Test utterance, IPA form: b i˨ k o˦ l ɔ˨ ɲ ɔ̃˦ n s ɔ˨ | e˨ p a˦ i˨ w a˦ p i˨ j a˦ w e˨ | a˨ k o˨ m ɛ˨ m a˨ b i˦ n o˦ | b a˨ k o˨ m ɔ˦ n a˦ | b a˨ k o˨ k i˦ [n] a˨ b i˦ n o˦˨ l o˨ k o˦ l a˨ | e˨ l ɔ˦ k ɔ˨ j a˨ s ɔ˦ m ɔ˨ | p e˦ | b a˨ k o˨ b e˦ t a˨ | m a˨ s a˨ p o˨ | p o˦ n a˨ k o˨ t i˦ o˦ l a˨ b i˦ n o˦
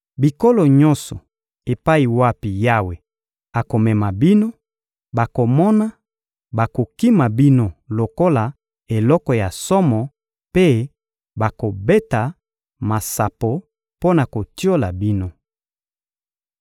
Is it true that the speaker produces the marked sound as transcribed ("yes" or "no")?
no